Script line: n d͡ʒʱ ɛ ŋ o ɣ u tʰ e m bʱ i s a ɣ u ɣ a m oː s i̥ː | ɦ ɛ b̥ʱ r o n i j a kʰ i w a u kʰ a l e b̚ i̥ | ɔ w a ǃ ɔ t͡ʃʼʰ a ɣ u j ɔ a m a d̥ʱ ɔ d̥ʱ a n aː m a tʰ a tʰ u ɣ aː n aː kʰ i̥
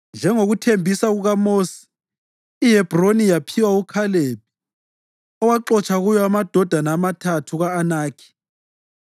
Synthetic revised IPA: n d͡ʒʱ ɛ ŋ o ɣ u tʰ e m bʱ i s a ɣ u ɣ a m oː s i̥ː | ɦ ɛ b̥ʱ r o n i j a pʰ i w a u kʰ a l e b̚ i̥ | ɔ w a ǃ ɔ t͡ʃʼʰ a ɣ u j ɔ a m a d̥ʱ ɔ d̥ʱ a n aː m a tʰ a tʰ u ɣ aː n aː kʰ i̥